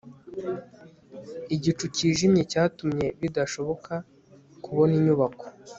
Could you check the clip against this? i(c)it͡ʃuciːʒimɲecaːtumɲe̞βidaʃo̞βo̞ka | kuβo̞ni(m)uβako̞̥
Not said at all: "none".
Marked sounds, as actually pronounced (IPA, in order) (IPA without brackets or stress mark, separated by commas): ɟ, ɲ